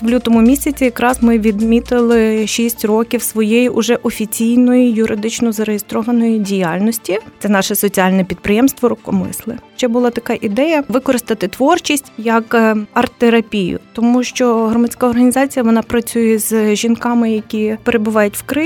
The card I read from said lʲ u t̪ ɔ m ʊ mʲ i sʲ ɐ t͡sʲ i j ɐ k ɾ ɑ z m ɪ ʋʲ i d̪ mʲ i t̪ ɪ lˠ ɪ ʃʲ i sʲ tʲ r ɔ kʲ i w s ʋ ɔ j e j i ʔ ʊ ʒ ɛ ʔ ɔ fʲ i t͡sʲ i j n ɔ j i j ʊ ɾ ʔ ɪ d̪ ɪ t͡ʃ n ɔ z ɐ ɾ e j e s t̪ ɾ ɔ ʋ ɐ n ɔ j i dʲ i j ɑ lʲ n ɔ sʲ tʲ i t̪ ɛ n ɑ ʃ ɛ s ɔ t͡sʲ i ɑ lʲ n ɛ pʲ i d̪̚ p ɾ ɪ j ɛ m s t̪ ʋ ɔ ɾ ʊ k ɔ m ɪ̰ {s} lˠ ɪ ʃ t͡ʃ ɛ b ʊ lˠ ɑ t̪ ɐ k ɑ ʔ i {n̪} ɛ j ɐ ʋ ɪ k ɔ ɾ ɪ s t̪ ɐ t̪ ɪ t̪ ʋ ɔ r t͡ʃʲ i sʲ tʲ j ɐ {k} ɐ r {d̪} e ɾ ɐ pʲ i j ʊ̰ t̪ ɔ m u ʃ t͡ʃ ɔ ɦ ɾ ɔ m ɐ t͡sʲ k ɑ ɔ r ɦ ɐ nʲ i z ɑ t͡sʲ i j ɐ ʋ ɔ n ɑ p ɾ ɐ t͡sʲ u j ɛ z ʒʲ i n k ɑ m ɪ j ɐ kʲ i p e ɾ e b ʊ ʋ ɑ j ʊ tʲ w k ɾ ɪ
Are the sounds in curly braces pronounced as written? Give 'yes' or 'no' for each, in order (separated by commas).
yes, no, yes, no